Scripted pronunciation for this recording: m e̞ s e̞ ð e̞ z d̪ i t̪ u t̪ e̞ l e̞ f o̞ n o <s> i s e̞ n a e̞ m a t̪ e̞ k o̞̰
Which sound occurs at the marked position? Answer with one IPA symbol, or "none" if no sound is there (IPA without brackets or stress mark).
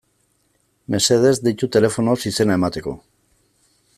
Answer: s